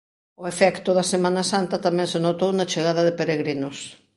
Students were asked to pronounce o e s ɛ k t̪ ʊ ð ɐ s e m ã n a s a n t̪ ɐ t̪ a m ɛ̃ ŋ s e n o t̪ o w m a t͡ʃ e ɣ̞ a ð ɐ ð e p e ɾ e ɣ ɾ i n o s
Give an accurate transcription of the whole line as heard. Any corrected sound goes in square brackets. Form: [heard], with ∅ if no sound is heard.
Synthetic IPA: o e [f] ɛ k t̪ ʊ ð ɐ s e m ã n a s a n t̪ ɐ t̪ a m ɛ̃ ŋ s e n o t̪ o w [n] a t͡ʃ e ɣ̞ a ð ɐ ð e p e ɾ e ɣ ɾ i n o s